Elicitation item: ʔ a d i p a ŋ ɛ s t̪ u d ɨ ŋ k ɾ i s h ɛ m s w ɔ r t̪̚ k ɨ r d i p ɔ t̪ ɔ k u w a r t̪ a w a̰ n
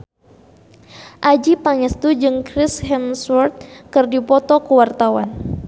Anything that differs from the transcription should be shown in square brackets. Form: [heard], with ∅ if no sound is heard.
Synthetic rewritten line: ʔ a [d͡ʒ] i p a ŋ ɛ s t̪ u [d͡ʒ] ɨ ŋ k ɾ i s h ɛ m s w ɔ r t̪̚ k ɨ r d i p ɔ t̪ ɔ k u w a r t̪ a w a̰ n